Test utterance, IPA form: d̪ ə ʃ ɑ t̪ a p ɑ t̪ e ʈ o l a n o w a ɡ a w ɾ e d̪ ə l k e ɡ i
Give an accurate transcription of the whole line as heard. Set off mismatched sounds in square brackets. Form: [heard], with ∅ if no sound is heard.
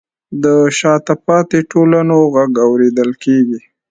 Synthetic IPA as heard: d̪ ə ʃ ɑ t̪ a p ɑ t̪ e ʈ o l a n o [ɣ] a ɡ a w ɾ e d̪ ə l k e ɡ i

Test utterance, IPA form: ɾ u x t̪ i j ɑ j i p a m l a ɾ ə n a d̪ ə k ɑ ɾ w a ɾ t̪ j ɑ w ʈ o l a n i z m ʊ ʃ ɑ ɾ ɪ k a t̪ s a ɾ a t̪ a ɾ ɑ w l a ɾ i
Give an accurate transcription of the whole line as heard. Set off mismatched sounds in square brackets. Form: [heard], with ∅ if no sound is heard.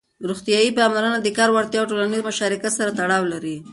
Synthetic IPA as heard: ɾ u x t̪ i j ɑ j i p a m l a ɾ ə n a d̪ ə k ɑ ɾ w a ɾ t̪ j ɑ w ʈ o l a n i z m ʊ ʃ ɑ ɾ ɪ k a t̪ s a ɾ a t̪ a [ɽ] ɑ w l a ɾ i

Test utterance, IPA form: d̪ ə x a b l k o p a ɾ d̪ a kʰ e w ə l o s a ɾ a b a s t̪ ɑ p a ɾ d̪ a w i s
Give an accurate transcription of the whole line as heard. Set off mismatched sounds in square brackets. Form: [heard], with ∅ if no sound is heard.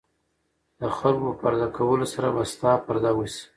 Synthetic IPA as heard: d̪ ə x a [∅] l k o p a ɾ d̪ a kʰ [a] w ə l o s a ɾ a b a s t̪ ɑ p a ɾ d̪ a w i s

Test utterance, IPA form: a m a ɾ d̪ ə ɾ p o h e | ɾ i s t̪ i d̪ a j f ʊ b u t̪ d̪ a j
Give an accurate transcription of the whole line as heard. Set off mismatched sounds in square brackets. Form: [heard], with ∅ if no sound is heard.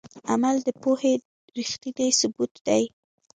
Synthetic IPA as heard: a m a [l] d̪ ə [∅] p o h e | ɾ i [x] t̪ i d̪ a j [s] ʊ b u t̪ d̪ a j

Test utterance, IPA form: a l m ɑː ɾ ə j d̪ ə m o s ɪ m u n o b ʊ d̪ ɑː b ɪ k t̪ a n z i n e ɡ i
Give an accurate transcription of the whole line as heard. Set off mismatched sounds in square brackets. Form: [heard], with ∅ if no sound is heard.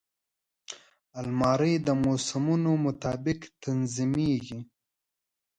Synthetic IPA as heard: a l m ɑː ɾ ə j d̪ ə m o s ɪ m u n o [m] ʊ [t̪] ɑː b ɪ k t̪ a n z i [m] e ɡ i

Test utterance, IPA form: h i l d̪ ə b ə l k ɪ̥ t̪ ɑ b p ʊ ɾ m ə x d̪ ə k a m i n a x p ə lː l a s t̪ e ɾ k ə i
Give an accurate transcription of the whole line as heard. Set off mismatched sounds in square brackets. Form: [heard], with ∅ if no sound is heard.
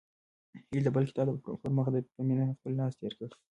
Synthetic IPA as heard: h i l d̪ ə b ə l k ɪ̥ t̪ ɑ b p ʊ ɾ m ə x d̪ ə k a m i n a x p ə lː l [ɑ] s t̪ e ɾ k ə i

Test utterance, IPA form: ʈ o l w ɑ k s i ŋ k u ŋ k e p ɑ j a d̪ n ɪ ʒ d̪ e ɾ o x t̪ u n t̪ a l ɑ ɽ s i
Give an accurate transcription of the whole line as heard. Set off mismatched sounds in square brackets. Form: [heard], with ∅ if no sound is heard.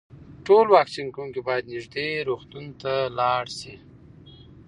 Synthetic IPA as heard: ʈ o l w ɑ k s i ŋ k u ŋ k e [b] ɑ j a d̪ n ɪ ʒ d̪ e ɾ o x t̪ u n t̪ a l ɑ ɽ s i

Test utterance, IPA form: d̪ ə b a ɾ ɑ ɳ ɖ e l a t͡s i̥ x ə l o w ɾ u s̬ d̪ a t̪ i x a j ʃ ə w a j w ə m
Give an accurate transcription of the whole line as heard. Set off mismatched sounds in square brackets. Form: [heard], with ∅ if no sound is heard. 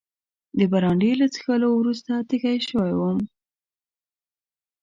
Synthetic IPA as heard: d̪ ə b a ɾ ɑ ɳ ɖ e l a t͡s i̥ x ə l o w ɾ u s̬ [t̪] a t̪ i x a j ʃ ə w a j w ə m

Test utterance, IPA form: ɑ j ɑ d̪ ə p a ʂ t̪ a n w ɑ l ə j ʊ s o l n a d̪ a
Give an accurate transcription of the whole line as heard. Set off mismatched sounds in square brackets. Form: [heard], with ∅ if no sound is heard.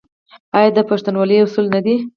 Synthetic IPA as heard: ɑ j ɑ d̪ ə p a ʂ t̪ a n w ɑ l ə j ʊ s [u] l n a d̪ [i]

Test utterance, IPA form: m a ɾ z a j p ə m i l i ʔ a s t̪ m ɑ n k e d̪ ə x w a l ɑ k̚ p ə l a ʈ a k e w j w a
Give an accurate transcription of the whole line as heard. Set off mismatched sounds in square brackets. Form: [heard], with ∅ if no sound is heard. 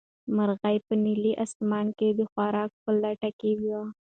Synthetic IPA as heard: m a ɾ [ɣ] a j p ə [n] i l i ʔ a s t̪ m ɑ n k e d̪ ə x w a [ɾ] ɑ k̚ p ə l a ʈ a k e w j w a

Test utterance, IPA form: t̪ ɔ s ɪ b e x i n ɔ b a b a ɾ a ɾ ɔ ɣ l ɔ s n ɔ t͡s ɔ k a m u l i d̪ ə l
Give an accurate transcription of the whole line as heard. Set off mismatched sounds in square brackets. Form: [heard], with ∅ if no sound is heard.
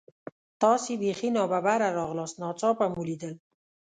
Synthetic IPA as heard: t̪ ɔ s [i] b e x i n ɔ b a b a ɾ a ɾ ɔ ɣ l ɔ s n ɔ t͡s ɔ [p] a m u l i d̪ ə l

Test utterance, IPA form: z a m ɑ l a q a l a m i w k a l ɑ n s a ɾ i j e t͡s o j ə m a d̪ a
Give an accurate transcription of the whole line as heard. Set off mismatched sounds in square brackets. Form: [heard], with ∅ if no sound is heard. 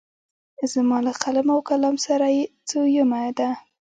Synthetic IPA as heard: z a m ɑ l a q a l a m [a] w k a l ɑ [m] s a ɾ [a] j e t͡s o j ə m a d̪ a

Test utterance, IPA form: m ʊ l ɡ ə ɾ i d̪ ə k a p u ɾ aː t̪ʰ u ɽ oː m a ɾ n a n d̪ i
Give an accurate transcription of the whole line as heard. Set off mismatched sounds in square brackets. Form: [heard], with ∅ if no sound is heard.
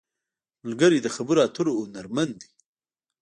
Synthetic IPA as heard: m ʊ l ɡ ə ɾ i d̪ ə [x] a [b] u ɾ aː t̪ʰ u [ɾ] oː [n] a ɾ [m] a n d̪ i

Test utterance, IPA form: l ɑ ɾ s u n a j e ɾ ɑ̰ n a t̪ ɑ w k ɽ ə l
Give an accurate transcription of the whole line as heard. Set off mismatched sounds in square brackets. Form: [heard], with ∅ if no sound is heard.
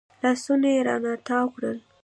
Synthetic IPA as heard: l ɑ [∅] s u n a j e ɾ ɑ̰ n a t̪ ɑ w k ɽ ə l

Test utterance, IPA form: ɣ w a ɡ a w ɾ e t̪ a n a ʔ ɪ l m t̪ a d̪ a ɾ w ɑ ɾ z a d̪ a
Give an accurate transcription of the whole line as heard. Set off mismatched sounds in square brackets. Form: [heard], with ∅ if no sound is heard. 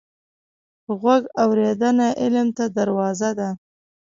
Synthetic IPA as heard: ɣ w a ɡ a w ɾ e [d̪] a n a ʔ ɪ l m t̪ a d̪ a ɾ w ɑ [∅] z a d̪ a

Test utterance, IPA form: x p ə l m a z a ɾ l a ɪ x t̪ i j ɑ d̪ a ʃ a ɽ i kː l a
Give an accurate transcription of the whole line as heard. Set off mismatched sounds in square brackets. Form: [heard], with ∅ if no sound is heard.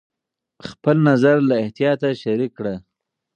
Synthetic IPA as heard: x p ə l [n] a z a ɾ l a ɪ [h] t̪ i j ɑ [t̪] a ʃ a [ɾ] i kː [ɽ] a

